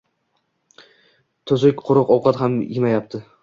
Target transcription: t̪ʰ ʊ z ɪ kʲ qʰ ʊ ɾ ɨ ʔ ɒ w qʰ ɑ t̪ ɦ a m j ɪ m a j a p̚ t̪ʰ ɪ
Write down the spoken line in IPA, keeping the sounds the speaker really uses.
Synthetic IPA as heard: t̪ʰ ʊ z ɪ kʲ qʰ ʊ ɾ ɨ q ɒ w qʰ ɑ t̪ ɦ a m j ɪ m a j a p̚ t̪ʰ ɪ